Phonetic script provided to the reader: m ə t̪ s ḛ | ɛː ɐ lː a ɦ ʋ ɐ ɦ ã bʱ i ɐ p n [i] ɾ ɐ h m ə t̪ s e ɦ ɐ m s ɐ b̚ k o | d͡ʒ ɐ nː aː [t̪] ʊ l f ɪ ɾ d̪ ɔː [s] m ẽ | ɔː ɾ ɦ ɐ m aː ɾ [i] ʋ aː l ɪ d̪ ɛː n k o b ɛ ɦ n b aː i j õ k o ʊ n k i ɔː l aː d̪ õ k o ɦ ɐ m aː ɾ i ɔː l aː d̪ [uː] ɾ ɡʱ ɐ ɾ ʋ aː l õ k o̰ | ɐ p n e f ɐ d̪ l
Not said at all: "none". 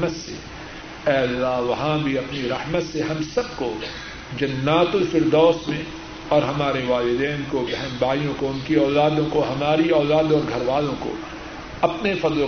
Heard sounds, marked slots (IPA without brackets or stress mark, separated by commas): i, t̪, s, e, ɔː